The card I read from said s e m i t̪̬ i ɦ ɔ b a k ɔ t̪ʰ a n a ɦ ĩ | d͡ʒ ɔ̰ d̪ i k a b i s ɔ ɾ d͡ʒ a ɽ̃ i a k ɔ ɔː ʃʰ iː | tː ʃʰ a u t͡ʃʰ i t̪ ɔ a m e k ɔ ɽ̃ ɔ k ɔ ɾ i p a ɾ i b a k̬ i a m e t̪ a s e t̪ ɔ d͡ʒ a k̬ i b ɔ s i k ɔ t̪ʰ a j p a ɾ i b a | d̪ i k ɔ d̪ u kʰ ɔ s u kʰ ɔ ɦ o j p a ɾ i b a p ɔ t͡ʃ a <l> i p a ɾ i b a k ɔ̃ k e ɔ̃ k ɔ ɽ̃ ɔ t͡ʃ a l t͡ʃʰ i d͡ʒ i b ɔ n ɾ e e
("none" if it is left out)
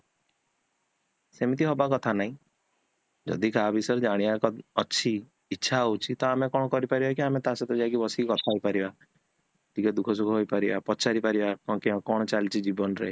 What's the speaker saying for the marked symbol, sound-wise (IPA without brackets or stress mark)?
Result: ɾ